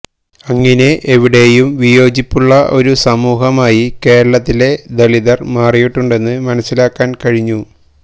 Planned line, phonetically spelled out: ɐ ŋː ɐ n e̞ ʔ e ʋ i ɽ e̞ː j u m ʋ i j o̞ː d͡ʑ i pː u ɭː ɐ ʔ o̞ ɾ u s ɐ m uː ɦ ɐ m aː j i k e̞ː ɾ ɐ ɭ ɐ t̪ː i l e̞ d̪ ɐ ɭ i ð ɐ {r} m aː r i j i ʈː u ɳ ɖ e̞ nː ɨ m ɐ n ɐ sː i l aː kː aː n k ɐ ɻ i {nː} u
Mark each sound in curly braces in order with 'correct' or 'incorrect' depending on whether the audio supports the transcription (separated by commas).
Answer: correct, incorrect